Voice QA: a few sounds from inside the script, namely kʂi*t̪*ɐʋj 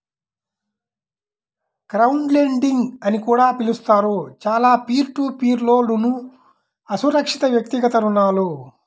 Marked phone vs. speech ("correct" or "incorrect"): correct